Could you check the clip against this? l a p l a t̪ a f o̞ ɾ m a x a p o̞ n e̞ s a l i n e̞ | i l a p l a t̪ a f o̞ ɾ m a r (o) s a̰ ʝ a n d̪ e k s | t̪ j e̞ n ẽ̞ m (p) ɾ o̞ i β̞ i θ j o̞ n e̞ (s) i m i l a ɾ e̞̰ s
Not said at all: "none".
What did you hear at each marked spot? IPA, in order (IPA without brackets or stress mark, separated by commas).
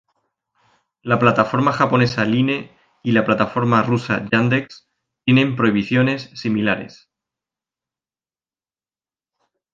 u, p, sː